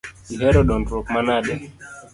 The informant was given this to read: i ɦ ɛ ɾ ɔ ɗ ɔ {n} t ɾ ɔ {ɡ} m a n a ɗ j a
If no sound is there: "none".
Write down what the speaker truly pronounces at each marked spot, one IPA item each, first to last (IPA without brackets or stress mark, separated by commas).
n, k